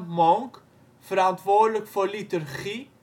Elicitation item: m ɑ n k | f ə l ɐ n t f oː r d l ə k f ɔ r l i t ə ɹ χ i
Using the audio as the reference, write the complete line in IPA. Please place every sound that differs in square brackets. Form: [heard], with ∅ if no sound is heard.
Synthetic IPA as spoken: m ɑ [ŋ] k | f ə [ɾ] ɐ n t [v] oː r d l ə k f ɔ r l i t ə [r] χ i